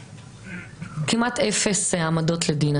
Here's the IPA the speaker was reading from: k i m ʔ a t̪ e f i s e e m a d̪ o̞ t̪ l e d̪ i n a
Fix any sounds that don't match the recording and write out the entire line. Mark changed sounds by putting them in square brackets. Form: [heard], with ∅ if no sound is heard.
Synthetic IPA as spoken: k i m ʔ a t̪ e f [e] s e [a] m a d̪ o̞ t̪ l e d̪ i n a